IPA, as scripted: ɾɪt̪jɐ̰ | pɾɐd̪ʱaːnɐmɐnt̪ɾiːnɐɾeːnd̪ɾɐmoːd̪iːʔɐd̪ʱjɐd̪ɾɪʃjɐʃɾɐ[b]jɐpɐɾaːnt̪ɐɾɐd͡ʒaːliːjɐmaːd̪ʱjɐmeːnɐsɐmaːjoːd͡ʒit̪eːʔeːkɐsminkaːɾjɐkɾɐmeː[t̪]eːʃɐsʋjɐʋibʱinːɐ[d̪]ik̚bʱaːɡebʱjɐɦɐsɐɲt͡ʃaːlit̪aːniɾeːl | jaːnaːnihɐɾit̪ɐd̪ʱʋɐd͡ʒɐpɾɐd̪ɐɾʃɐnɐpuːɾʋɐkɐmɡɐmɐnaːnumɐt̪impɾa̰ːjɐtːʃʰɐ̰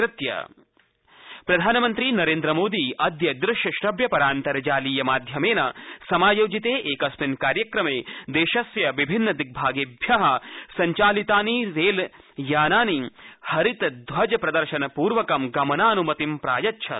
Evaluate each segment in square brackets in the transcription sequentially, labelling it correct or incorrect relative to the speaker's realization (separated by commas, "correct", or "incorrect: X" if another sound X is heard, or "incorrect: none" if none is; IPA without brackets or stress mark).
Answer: correct, incorrect: d̪, correct